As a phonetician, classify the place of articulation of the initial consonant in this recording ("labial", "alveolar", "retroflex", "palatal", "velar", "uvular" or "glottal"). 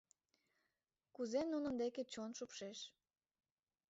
velar